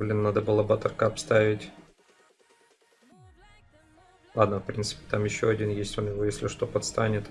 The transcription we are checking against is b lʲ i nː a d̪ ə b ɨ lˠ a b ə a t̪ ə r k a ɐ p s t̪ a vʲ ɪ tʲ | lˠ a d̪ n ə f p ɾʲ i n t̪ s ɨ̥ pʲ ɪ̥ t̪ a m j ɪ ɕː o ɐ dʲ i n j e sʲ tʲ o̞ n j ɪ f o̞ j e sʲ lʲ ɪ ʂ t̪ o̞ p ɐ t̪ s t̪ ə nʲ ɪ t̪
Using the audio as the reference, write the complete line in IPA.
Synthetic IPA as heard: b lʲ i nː a d̪ ə b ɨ lˠ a b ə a t̪ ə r k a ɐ p s t̪ a vʲ ɪ tʲ | lˠ a d̪ n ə f p ɾʲ i n t̪ s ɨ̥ pʲ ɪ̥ t̪ a m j ɪ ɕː o ɐ dʲ i n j e sʲ tʲ o̞ n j ɪ v o̞ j e sʲ lʲ ɪ ʂ t̪ o̞ p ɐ t̪ s t̪ a nʲ ɪ t̪

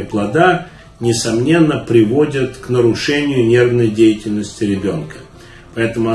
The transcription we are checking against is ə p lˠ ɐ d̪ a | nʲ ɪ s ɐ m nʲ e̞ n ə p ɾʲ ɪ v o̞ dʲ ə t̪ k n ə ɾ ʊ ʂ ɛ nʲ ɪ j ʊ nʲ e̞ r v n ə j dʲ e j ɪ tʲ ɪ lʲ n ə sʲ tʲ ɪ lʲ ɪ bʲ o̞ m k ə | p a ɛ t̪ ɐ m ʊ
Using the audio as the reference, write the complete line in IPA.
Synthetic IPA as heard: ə p lˠ ɐ d̪ a | nʲ ɪ s ɐ m nʲ e̞ nː ə p ɾʲ ɪ v o̞ dʲ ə t̪ k n ə ɾ ʊ ʂ ɛ nʲ ɪ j ʊ nʲ e̞ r v n ə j dʲ e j ɪ tʲ ɪ lʲ n ə sʲ tʲ ɪ ɾʲ ɪ bʲ o̞ n k ə | p ɐ ɛ t̪ ə m ʊ

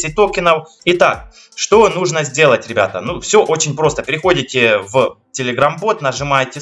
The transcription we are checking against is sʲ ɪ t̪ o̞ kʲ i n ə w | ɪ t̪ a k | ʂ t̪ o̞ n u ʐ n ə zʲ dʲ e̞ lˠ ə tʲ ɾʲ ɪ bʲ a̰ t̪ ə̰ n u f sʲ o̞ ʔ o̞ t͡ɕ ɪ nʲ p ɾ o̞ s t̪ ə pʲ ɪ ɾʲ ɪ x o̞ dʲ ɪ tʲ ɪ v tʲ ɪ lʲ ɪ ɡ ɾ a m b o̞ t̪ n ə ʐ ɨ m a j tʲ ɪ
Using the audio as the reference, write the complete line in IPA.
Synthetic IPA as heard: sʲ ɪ t̪ o̞ kʲ ɪ n ə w | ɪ t̪ a k | ʂ t̪ o̞ n u ʐ n ə zʲ dʲ e̞ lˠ ə tʲ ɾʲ ɪ bʲ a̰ t̪ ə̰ n u f sʲ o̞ ʔ o̞ t͡ɕ ɪ nʲ p ɾ o̞ s t̪ ə pʲ ɪ ɾʲ ɪ x o̞ dʲ ɪ tʲ ɪ v tʲ ɪ lʲ ɪ ɡ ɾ a m b o̞ t̪ n ə ʐ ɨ m a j tʲ ɪ

